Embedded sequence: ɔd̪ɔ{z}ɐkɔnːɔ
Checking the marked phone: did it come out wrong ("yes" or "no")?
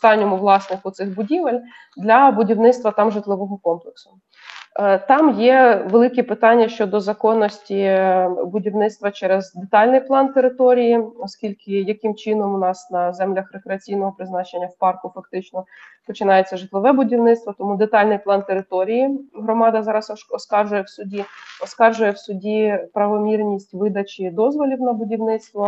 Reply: no